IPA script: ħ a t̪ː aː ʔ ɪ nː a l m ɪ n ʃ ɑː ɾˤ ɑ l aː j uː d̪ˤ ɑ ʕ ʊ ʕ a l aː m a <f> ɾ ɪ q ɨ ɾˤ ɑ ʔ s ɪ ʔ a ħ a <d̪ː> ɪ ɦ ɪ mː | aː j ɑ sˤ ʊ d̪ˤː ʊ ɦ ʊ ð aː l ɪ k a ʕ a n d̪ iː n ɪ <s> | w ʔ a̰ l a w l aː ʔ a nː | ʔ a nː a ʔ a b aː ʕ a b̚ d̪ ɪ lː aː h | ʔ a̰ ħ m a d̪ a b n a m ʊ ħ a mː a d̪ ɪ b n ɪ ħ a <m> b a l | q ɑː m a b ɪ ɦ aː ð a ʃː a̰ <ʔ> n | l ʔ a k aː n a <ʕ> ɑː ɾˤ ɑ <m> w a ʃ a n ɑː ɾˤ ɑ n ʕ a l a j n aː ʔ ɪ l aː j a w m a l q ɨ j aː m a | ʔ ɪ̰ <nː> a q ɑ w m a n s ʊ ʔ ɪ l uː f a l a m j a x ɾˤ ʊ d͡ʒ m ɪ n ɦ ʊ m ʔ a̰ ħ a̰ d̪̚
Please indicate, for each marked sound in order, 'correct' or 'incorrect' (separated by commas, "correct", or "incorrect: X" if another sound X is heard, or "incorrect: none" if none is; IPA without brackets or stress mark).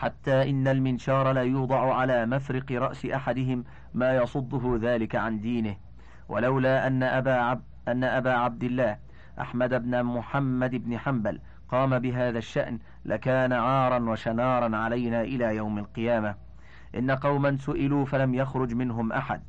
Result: correct, incorrect: d̪, incorrect: h, correct, correct, correct, incorrect: n, correct